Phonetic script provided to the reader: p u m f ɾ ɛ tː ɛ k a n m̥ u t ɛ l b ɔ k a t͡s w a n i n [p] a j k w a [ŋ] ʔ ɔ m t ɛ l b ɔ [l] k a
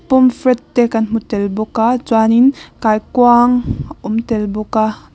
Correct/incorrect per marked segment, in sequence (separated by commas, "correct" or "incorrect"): incorrect, correct, incorrect